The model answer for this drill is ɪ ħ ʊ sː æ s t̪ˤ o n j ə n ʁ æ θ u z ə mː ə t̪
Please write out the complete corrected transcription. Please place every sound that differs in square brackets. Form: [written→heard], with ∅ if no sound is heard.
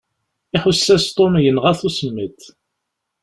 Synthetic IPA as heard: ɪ ħ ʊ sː æ s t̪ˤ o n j ə n ʁ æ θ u [z→s] ə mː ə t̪